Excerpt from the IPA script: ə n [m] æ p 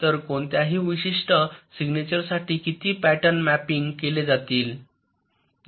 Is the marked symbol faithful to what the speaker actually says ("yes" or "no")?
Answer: yes